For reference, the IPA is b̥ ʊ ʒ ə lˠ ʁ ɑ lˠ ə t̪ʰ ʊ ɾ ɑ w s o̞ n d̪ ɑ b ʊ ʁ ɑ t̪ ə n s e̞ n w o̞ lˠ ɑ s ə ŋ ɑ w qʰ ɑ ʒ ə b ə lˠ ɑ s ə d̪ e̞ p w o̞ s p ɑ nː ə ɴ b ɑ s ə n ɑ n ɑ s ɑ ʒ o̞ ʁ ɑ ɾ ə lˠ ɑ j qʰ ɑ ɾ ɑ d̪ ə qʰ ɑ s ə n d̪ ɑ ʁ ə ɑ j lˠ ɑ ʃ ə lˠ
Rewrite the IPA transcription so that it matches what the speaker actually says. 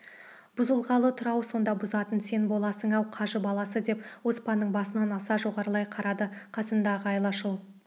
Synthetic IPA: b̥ ʊ z ə lˠ ʁ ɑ lˠ ə t̪ʰ ʊ ɾ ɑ w s o̞ n d̪ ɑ b ʊ z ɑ t̪ ə n s e̞ n b o̞ lˠ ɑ s ə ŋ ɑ w qʰ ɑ ʒ ə b ɑ lˠ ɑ s ə d̪ e̞ p w o̞ s p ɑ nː ə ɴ b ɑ s ə n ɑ n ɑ s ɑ ʒ o̞ ʁ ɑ ɾ ə lˠ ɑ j qʰ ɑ ɾ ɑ d̪ ə qʰ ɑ s ə n d̪ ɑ ʁ ə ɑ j lˠ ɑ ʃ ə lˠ